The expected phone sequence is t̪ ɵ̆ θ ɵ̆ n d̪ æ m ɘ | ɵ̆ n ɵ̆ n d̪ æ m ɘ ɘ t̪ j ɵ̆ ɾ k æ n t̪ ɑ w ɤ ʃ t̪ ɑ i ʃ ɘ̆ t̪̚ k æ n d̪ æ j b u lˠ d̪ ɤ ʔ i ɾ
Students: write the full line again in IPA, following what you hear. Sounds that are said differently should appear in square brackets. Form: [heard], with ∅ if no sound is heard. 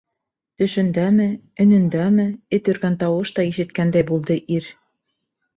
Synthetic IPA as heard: t̪ ɵ̆ [ʃ] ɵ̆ n d̪ æ m ɘ | ɵ̆ n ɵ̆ n d̪ æ m ɘ ɘ t̪ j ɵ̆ ɾ [ɡ] æ n t̪ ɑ w ɤ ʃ t̪ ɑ i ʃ ɘ̆ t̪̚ k æ n d̪ æ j b u lˠ d̪ ɤ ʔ i ɾ